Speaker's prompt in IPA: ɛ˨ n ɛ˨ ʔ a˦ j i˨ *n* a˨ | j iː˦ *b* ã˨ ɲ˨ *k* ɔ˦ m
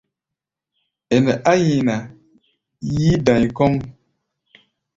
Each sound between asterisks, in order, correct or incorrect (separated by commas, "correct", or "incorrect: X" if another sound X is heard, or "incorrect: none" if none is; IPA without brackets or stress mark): correct, incorrect: d, correct